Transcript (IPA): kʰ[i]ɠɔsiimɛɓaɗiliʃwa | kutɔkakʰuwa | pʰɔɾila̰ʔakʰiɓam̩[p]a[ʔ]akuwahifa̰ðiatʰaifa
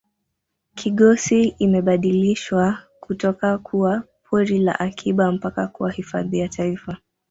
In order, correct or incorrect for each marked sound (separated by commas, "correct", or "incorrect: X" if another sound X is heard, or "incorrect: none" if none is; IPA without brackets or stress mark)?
correct, correct, incorrect: k